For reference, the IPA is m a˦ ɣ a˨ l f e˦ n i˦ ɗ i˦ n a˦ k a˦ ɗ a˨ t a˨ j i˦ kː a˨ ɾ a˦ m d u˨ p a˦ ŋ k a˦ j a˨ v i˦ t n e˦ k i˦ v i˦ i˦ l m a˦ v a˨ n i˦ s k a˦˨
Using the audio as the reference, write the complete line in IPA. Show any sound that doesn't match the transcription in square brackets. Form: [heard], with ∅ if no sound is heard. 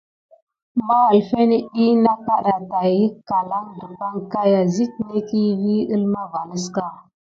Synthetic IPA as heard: m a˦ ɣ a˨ l f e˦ n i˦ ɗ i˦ n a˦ k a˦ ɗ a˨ t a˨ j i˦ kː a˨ [l] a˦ [ŋ] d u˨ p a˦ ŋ k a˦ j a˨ [z] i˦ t n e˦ k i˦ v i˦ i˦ l m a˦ v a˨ n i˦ s k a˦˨